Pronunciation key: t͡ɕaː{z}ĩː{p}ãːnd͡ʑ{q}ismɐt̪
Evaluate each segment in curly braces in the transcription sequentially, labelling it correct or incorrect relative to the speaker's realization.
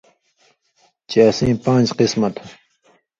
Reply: incorrect: s, correct, correct

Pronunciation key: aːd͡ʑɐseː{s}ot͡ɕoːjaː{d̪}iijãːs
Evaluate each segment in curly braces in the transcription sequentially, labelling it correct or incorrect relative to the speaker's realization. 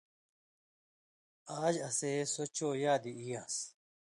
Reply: correct, correct

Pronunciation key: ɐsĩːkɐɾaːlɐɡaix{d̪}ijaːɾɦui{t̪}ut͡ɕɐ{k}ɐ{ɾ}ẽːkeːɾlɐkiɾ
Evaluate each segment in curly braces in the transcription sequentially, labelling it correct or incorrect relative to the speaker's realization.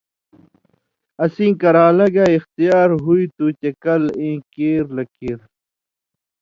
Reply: incorrect: t̪, correct, correct, incorrect: l

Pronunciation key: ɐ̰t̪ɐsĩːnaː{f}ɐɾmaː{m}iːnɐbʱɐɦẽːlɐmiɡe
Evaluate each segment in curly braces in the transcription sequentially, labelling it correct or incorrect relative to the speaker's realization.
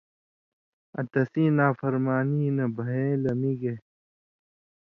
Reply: correct, incorrect: n

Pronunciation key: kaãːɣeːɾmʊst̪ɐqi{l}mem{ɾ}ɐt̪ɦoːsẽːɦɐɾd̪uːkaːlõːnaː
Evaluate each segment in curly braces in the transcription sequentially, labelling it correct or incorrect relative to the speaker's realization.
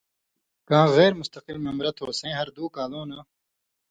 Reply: correct, correct

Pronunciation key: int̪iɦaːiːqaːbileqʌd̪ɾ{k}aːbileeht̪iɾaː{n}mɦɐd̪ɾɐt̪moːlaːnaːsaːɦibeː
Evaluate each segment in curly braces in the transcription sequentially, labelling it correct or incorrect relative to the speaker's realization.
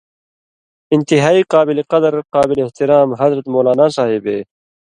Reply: incorrect: q, incorrect: none

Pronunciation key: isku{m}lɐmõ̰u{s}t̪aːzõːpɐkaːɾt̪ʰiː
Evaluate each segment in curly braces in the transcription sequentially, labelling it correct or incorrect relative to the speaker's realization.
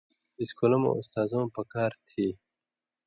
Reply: incorrect: none, correct

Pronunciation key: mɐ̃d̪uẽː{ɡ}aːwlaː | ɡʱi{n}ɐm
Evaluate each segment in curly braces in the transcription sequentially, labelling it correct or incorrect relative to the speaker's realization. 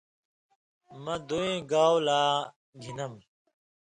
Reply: correct, correct

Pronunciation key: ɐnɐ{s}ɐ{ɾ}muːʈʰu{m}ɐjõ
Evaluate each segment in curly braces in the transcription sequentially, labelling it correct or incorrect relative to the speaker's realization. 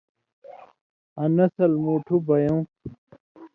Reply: correct, incorrect: l, incorrect: b

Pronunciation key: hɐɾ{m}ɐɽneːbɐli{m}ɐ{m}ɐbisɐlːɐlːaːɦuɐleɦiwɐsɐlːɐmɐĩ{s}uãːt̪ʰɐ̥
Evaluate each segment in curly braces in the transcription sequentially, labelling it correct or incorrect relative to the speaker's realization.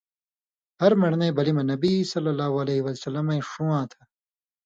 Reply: correct, correct, incorrect: n, incorrect: ʂ

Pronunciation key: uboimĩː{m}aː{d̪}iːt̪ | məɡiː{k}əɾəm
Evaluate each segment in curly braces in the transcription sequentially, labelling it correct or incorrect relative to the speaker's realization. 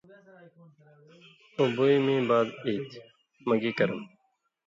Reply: incorrect: b, correct, correct

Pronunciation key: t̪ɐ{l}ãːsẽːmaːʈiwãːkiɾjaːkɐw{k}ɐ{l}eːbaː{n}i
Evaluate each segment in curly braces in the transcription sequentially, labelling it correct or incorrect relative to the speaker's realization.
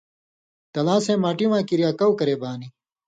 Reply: correct, correct, incorrect: ɾ, correct

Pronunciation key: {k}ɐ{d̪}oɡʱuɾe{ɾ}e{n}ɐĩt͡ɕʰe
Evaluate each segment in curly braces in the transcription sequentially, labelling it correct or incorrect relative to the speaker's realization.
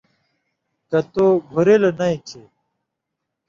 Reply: correct, incorrect: t̪, incorrect: l, correct

